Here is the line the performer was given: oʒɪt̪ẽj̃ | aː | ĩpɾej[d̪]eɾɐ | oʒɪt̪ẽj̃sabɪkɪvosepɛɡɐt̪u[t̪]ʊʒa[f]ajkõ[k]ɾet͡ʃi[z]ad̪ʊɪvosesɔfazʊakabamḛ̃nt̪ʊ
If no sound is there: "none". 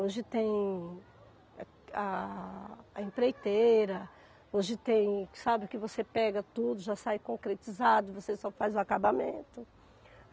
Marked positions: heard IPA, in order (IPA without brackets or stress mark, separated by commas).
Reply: t̪, d̪, s, k, z